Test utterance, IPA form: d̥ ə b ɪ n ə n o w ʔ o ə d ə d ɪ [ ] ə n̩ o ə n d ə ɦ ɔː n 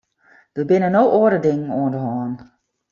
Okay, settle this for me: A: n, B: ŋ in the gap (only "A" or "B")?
B